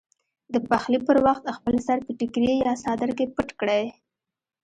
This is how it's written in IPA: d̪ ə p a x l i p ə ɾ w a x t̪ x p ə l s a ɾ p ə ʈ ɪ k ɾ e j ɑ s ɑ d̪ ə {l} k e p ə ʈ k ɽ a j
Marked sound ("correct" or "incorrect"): incorrect